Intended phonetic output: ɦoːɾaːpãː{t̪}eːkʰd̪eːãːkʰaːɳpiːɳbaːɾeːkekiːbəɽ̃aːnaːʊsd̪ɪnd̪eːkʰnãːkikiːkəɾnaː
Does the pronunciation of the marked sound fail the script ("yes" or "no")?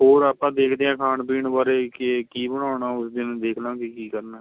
yes